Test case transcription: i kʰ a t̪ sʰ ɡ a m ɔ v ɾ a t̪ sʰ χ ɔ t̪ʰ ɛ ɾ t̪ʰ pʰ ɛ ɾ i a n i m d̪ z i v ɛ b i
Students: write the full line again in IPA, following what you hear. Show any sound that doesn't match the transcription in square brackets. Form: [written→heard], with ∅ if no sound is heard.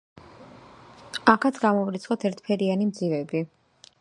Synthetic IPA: [i→a] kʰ a t̪ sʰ ɡ a m ɔ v ɾ [a→i] t̪ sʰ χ ɔ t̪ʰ ɛ ɾ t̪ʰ pʰ ɛ ɾ i a n i m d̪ z i v ɛ b i